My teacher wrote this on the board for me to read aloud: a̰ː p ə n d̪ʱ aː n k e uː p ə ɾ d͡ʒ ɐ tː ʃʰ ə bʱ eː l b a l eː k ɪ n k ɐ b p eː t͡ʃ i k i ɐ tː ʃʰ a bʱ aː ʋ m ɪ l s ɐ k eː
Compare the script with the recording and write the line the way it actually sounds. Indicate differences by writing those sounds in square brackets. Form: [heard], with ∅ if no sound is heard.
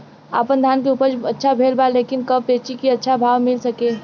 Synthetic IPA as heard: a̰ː p ə n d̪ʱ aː n k e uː p ə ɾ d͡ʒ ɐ tː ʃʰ [a] bʱ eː l b a l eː k ɪ n k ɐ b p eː t͡ʃ i k i ɐ tː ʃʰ a bʱ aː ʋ m ɪ l s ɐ k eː